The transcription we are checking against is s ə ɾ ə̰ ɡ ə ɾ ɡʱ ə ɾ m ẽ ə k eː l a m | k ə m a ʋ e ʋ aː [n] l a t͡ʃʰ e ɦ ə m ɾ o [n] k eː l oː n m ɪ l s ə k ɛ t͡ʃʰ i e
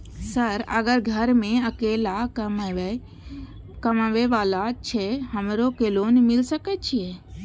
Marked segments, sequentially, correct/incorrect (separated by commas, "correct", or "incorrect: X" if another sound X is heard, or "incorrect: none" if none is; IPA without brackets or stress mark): incorrect: none, incorrect: none